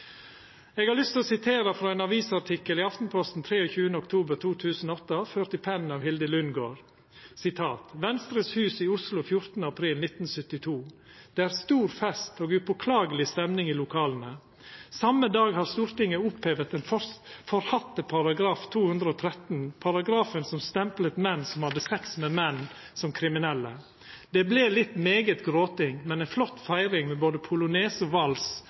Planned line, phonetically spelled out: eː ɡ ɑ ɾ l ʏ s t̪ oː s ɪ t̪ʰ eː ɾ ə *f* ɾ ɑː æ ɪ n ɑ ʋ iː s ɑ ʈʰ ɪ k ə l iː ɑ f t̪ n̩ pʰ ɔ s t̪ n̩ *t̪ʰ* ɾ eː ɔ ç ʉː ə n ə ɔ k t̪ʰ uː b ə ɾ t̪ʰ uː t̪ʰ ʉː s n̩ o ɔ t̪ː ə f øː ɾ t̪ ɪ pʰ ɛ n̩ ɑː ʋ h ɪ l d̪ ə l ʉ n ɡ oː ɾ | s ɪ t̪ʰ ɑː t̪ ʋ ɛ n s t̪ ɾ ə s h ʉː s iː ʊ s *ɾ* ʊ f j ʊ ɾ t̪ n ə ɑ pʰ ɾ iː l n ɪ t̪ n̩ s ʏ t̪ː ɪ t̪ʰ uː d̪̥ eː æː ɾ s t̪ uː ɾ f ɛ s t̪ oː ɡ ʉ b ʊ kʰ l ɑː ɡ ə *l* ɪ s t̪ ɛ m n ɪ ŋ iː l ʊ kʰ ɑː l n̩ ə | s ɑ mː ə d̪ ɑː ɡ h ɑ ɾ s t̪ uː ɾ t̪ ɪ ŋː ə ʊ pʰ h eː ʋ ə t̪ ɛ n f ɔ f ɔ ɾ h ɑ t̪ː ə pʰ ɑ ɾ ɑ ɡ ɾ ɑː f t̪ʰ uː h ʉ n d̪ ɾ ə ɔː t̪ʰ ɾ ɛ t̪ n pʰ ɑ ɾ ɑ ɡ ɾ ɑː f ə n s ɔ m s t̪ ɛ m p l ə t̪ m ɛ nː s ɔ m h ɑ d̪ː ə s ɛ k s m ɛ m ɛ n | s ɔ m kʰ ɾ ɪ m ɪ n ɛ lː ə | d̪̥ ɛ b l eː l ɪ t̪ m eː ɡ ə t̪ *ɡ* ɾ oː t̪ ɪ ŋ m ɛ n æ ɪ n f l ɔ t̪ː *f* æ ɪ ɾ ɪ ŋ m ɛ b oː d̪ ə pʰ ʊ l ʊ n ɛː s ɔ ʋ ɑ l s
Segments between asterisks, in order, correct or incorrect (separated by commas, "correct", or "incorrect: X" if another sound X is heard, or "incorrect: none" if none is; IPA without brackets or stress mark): correct, correct, incorrect: l, correct, correct, correct